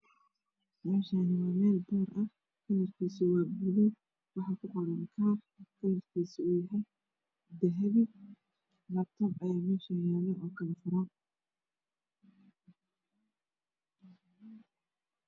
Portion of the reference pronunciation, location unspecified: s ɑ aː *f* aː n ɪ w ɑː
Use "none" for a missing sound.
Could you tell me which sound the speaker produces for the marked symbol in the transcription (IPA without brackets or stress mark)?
ʃ